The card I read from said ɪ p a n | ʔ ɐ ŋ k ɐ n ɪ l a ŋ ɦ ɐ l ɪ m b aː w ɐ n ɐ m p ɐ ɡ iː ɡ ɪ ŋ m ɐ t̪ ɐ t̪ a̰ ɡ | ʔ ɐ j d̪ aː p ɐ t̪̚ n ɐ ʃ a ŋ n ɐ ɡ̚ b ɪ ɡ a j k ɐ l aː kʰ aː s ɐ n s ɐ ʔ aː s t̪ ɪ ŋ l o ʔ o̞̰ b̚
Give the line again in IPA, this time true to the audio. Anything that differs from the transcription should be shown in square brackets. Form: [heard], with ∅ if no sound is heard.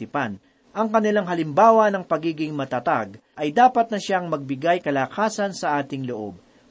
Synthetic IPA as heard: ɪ p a n | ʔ ɐ ŋ k ɐ n ɪ l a ŋ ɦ ɐ l ɪ m b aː w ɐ n ɐ [ŋ] p ɐ ɡ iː ɡ ɪ ŋ m ɐ t̪ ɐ t̪ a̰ ɡ | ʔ ɐ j d̪ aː p ɐ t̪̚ n ɐ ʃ a ŋ [m] ɐ ɡ̚ b ɪ ɡ a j k ɐ l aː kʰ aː s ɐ n s ɐ ʔ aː [∅] t̪ ɪ ŋ l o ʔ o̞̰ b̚